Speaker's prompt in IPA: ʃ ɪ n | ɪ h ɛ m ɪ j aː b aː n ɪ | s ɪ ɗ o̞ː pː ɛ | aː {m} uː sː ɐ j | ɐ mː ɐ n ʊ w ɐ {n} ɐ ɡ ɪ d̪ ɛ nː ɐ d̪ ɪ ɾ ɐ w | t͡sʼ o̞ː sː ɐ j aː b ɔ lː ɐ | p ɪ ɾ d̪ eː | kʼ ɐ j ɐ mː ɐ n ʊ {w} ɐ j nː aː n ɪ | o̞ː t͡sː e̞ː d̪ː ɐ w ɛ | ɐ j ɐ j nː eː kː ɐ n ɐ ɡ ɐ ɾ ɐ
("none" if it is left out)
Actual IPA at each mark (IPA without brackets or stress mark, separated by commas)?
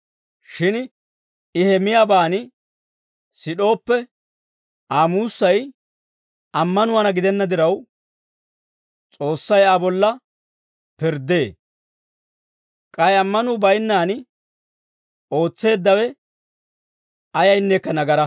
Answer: m, n, b